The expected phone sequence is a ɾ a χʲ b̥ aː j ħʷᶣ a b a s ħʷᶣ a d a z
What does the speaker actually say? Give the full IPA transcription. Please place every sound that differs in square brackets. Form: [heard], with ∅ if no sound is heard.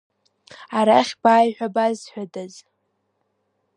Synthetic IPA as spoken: a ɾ a χʲ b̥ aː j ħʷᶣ a b a [z] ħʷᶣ a d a z